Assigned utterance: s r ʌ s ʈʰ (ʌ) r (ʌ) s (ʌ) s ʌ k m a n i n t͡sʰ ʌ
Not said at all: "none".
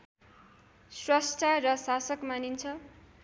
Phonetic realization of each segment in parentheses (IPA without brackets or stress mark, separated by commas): a, ʌ, a